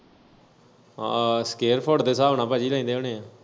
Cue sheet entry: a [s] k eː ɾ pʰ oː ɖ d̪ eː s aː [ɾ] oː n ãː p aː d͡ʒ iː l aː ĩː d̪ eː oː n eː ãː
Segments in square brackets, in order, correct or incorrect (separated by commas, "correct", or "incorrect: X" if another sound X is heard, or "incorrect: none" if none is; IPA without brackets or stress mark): correct, incorrect: none